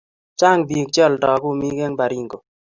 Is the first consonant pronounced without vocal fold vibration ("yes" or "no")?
yes